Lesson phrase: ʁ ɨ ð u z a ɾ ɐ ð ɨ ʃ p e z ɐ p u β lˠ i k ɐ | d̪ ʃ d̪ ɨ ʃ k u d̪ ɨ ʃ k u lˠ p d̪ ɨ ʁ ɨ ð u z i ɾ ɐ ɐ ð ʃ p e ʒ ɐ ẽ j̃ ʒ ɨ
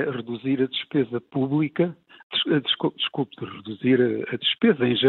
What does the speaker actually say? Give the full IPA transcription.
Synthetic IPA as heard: ʁ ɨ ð u z i ɾ ɐ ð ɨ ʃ p e z ɐ p u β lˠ i k ɐ | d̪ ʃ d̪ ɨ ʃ k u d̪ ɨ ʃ k u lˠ p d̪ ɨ ʁ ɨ ð u z i ɾ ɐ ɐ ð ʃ p e z ɐ ẽ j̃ ʒ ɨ